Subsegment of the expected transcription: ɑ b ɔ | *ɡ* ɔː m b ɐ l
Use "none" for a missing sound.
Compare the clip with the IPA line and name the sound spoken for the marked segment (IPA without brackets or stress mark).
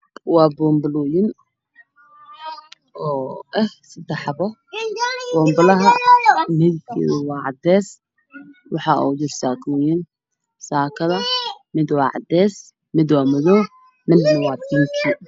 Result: b